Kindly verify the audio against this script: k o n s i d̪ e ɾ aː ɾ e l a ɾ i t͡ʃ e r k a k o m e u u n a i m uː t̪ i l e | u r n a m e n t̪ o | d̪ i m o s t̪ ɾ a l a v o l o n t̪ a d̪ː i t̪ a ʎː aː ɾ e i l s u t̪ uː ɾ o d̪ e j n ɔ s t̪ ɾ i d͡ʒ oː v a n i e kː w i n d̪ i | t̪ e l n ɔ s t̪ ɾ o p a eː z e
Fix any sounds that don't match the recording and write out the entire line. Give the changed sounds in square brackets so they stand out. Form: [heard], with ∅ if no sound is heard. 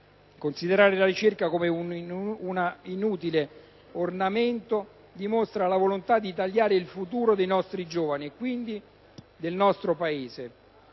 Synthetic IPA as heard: k o n s i d̪ e ɾ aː ɾ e l a ɾ i t͡ʃ e r k a k o m e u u n a i [n] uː t̪ i l e | [o] r n a m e n t̪ o | d̪ i m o s t̪ ɾ a l a v o l o n t̪ a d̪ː i t̪ a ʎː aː ɾ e i l [f] u t̪ uː ɾ o d̪ e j n ɔ s t̪ ɾ i d͡ʒ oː v a n i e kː w i n d̪ i | [d̪] e l n ɔ s t̪ ɾ o p a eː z e